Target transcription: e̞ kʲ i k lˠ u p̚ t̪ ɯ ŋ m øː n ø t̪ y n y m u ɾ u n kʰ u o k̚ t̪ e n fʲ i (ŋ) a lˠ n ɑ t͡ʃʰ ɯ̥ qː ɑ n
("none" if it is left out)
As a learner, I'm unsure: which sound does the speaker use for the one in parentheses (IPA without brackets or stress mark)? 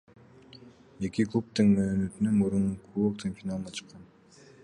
n